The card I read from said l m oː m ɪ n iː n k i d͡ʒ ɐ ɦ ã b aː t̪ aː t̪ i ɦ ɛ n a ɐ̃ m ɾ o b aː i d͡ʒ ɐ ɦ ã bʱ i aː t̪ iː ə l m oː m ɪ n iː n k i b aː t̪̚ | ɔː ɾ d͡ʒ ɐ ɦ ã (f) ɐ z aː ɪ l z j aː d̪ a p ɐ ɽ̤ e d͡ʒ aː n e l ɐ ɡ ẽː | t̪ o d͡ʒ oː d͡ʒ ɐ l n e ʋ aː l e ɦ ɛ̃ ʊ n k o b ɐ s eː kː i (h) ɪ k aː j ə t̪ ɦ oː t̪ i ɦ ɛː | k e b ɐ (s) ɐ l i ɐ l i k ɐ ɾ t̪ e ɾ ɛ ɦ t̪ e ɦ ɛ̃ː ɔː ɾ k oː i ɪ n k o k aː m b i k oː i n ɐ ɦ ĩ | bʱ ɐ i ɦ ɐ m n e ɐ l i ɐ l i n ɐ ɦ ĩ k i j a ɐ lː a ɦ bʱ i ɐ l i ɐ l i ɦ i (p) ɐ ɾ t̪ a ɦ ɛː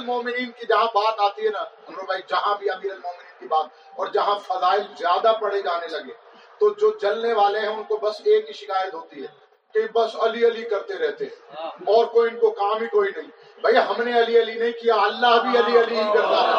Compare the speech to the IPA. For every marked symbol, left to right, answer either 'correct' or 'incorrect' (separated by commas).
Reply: correct, incorrect, correct, incorrect